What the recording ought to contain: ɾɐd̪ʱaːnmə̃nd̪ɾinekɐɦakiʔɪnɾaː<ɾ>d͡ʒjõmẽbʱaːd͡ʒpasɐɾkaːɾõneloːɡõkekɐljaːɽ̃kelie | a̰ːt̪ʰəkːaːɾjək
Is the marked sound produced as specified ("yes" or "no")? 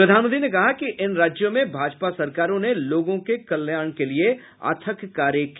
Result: no